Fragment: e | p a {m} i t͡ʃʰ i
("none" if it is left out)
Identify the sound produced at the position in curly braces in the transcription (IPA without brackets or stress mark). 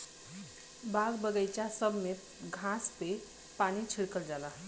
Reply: n